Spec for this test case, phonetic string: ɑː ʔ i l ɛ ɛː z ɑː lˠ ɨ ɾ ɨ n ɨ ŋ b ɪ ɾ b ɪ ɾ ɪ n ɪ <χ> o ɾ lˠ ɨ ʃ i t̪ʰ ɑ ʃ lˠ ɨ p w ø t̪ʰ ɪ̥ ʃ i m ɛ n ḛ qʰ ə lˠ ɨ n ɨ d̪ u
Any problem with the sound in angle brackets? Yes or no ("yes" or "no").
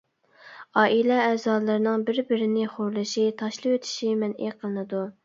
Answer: no